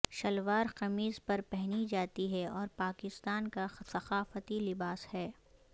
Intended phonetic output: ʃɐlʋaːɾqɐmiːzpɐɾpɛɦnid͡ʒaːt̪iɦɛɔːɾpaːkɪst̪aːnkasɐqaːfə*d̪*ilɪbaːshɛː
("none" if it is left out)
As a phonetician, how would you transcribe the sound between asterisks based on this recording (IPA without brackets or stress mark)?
t̪